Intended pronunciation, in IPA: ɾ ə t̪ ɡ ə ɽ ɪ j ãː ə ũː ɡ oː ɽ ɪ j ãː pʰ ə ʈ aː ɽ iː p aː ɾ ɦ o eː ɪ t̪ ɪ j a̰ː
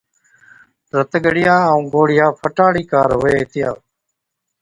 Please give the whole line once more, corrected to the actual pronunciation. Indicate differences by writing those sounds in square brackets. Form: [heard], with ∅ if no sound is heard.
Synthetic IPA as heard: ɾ ə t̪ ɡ ə ɽ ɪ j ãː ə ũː ɡ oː ɽ ɪ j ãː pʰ ə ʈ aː ɽ iː [k] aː ɾ ɦ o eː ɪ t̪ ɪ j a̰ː